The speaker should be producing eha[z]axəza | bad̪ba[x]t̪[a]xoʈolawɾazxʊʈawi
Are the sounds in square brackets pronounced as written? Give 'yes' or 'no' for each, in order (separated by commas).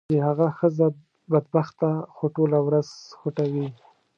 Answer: no, yes, yes